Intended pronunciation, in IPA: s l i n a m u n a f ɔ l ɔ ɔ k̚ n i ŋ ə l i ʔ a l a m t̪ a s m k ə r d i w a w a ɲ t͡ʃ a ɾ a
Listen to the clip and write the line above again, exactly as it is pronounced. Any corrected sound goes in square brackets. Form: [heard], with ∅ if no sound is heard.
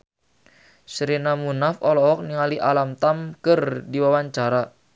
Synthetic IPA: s [ɾ] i n a m u n a f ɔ l ɔ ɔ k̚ n i ŋ [a] l i ʔ a l a m t̪ a [∅] m k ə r d i w a w a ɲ t͡ʃ a ɾ a